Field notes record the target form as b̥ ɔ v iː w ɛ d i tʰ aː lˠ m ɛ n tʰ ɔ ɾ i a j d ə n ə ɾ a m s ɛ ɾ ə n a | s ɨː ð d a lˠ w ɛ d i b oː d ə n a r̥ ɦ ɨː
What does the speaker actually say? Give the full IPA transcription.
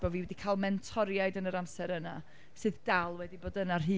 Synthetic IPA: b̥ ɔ v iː w ɛ d i kʰ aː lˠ m ɛ n tʰ ɔ ɾ j a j d ə n ə ɾ a m s ɛ ɾ ə n a | s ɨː ð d a lˠ w ɛ d i b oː d ə n a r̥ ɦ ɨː